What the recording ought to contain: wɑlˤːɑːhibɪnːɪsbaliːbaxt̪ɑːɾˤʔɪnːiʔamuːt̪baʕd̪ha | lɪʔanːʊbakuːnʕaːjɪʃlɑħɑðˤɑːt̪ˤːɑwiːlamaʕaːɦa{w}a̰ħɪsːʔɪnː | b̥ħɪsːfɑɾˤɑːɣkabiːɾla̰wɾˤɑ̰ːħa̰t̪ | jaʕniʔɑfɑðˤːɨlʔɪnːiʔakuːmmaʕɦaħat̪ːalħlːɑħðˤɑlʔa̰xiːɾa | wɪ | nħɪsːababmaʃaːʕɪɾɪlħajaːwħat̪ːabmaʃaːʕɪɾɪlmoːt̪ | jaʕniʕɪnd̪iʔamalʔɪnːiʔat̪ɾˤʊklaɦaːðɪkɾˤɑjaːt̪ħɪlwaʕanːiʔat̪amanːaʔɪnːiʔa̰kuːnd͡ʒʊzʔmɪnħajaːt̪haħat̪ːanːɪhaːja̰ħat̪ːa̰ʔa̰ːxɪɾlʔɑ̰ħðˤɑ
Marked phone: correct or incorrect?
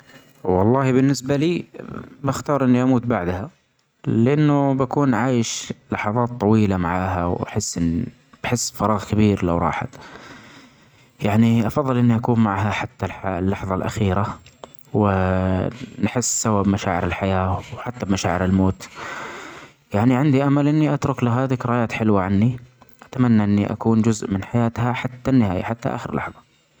correct